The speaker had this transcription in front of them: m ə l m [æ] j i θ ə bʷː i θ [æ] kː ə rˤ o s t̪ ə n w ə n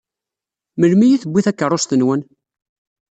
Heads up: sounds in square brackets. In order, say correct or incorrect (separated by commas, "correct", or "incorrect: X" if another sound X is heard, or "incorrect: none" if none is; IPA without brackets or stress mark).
incorrect: i, correct